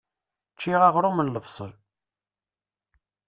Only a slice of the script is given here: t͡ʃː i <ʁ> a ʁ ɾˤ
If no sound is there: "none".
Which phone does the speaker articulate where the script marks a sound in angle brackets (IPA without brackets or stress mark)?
ʁ